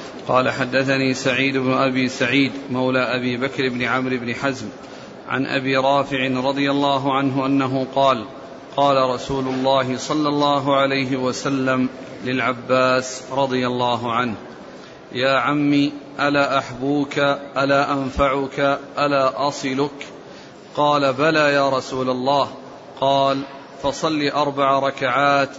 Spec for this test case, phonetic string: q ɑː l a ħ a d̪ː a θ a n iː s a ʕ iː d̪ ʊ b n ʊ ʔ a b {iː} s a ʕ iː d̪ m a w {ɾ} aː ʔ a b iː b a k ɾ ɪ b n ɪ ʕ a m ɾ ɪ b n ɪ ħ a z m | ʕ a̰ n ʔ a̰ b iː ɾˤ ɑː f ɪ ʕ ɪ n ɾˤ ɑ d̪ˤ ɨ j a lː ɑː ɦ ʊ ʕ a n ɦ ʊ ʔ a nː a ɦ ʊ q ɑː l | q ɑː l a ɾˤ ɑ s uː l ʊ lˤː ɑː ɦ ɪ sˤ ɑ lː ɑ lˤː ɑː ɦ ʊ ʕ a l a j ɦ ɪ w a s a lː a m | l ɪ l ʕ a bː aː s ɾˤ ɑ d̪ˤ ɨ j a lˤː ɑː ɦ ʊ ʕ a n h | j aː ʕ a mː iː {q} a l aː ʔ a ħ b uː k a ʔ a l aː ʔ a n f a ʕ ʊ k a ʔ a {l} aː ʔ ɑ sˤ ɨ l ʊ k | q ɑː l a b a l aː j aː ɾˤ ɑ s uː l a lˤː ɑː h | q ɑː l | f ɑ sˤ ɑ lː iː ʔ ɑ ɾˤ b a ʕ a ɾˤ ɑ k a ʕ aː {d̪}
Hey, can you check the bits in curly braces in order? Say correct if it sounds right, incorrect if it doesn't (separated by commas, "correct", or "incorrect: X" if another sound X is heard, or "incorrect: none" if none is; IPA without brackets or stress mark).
correct, incorrect: l, incorrect: ʔ, correct, incorrect: t̪